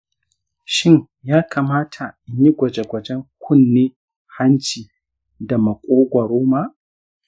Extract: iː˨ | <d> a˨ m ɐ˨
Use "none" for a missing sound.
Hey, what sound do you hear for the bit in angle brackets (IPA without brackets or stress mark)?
d